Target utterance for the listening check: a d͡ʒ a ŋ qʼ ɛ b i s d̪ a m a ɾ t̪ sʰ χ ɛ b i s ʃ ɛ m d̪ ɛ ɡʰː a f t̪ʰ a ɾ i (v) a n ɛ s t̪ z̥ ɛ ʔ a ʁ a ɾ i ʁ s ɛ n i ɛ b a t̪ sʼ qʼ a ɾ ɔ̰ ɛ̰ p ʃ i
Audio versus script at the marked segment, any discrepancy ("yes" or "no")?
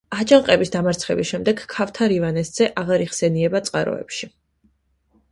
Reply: no